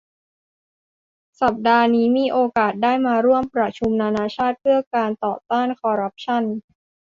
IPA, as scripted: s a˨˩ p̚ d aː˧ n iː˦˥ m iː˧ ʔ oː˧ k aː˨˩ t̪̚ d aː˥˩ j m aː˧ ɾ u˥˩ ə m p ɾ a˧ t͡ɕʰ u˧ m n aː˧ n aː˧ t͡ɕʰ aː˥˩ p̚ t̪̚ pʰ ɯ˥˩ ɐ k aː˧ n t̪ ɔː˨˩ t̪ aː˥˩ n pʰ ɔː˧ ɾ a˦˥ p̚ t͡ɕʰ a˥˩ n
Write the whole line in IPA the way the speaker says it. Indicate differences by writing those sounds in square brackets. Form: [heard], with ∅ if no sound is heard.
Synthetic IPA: s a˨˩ p̚ d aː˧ n iː˦˥ m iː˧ ʔ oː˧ k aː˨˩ t̪̚ d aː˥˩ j m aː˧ ɾ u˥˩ ə m p ɾ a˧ t͡ɕʰ u˧ m n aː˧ n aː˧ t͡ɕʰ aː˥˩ [∅] t̪̚ pʰ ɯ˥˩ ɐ k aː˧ n t̪ ɔː˨˩ t̪ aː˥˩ n [kʰ] ɔː˧ ɾ a˦˥ p̚ t͡ɕʰ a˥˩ n